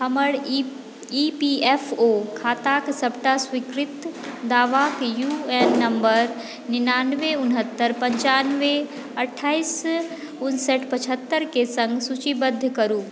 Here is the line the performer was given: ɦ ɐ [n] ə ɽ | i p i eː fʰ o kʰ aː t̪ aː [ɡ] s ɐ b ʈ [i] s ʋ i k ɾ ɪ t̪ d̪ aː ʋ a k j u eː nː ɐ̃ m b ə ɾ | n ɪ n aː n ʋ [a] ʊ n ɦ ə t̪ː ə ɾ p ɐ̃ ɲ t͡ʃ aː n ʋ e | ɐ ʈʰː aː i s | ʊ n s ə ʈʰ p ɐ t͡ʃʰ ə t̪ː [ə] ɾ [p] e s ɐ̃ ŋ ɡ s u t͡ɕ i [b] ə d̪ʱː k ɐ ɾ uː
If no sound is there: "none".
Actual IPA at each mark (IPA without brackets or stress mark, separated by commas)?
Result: m, k, a, e, ə, k, b